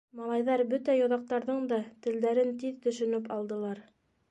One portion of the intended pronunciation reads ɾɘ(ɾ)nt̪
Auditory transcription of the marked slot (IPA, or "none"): none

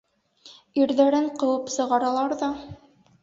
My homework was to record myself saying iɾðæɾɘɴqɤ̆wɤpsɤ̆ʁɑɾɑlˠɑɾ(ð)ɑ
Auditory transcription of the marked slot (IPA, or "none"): ð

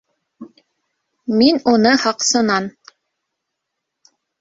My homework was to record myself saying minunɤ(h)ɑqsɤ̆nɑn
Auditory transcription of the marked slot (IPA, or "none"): h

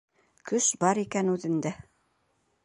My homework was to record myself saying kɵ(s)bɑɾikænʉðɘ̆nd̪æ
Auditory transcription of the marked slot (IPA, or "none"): ʃ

